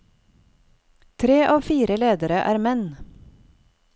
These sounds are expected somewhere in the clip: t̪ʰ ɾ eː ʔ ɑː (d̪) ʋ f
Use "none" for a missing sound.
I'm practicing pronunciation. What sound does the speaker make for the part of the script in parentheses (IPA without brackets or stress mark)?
none